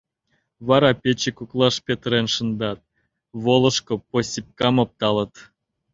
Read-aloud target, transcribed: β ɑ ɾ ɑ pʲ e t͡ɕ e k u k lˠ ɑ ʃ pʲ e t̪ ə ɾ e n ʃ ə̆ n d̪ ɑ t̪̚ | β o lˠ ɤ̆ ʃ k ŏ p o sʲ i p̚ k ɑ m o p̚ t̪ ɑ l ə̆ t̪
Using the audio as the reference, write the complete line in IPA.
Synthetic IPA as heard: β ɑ ɾ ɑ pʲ e t͡ɕ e k u k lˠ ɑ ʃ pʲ e t̪ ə ɾ e n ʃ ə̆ n d̪ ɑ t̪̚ | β o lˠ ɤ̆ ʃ k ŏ p o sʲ i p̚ k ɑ m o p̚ t̪ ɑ l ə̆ t̪